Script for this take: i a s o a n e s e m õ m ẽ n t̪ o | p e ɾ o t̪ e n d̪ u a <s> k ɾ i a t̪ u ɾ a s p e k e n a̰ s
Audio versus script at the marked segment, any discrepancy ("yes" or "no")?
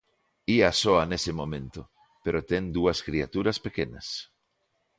no